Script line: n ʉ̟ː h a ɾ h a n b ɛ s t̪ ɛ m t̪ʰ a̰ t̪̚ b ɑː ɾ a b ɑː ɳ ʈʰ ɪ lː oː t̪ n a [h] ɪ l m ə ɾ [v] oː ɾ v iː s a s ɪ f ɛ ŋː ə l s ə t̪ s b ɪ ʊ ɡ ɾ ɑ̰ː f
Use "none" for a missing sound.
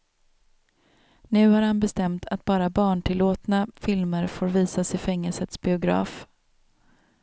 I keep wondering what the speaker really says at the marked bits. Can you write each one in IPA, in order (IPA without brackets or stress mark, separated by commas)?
f, f